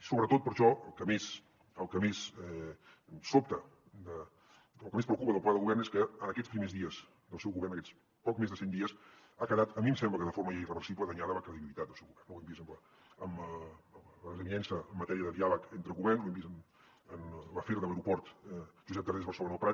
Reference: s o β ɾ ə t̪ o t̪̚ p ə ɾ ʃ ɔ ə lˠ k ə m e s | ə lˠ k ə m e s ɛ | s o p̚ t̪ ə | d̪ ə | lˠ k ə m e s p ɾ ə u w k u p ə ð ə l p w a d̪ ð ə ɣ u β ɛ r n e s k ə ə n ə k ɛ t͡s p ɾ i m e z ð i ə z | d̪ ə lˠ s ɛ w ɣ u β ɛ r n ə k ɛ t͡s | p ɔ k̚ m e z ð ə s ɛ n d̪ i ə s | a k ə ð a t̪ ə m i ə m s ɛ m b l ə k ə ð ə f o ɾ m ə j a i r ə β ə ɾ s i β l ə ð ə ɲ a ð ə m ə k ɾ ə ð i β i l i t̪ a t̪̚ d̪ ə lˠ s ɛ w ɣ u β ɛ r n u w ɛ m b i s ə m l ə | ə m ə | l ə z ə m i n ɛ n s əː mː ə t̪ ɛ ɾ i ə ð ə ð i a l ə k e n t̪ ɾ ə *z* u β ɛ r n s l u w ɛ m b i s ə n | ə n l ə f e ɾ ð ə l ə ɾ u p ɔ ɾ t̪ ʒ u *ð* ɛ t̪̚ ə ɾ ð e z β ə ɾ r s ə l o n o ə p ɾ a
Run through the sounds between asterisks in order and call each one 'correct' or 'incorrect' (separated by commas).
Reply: incorrect, incorrect